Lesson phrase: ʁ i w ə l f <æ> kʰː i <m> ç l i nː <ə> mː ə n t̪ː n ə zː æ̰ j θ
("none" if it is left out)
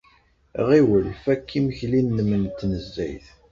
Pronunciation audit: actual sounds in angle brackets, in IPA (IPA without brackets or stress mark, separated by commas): æ, m, ə